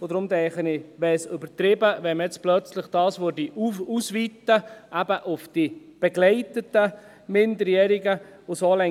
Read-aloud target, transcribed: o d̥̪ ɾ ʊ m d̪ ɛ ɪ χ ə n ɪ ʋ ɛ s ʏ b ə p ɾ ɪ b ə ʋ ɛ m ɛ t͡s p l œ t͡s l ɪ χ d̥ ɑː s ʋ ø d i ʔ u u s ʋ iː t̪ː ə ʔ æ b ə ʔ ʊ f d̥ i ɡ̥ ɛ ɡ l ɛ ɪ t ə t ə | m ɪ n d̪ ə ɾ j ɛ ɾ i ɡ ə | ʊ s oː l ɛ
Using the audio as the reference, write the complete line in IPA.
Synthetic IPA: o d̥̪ ɾ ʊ m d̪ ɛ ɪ χ ə n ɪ ʋ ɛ s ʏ b ə t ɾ ɪ b ə ʋ ɛ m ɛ t͡s p l œ t͡s l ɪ χ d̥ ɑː s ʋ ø d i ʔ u u s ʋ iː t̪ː ə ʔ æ b ə ʔ ʊ f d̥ i b̥ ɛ ɡ l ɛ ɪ t ə t ə | m ɪ n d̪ ə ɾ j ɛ ɾ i ɡ ə | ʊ s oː l ɛ